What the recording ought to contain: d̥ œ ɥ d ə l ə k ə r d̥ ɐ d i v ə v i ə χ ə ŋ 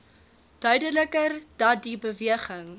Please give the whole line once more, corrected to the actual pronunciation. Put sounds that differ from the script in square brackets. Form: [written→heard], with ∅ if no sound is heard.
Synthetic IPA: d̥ œ ɥ d ə l ə k ə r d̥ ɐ d i [v→b] ə v i ə χ ə ŋ

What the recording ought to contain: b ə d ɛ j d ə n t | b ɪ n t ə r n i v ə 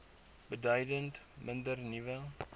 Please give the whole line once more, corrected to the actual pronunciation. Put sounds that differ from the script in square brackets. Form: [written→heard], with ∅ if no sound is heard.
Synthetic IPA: b ə d [ɛ→œ] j d ə n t | [b→m] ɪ n [t→d] ə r n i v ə

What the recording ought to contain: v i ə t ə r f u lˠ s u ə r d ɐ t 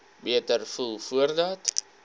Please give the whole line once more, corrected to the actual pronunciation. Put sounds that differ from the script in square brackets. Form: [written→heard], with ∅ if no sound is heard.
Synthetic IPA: [v→b] i ə t ə r f u lˠ [s→f] u ə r d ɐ t

